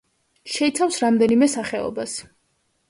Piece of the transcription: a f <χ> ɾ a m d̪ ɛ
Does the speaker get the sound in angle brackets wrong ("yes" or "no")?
yes